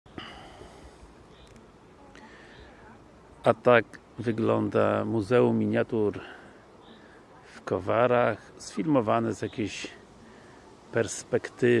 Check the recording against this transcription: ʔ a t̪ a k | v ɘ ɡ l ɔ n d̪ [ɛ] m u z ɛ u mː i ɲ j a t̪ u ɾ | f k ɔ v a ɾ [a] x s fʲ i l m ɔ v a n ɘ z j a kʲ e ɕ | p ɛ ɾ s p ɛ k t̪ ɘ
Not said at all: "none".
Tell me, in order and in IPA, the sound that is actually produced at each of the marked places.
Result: a, a

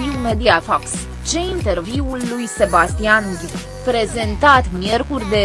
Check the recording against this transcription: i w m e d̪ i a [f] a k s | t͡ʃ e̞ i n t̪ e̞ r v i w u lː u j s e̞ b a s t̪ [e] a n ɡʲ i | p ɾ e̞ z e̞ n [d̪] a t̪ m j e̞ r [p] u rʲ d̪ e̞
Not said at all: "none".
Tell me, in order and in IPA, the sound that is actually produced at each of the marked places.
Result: f, i, t̪, k

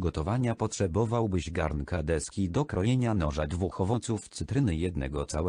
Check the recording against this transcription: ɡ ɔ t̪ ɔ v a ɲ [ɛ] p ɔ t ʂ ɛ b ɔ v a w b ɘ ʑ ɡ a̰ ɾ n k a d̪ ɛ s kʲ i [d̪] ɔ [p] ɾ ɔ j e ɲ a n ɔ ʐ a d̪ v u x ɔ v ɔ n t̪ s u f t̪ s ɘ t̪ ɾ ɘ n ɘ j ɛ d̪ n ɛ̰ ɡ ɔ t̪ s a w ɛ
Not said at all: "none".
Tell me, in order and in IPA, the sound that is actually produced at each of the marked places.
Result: a, d̪, k

